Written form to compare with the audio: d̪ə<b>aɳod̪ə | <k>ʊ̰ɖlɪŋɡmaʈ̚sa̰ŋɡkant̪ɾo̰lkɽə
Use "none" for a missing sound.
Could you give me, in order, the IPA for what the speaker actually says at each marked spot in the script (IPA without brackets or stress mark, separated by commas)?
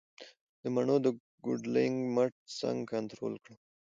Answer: m, ɡ